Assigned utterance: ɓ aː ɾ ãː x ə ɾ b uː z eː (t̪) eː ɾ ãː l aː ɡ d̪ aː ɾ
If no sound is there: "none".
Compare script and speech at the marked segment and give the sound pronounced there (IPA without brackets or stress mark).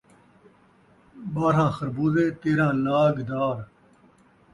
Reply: t̪